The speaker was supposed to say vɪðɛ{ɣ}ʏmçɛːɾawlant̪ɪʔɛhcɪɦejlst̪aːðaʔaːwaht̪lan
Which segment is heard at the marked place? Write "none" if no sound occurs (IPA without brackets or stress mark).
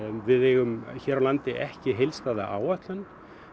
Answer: ɣ